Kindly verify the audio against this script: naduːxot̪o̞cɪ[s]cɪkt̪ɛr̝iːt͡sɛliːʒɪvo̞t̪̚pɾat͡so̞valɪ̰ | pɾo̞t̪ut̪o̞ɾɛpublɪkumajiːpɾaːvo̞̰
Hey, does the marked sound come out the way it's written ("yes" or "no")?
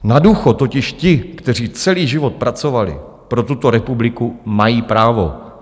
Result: no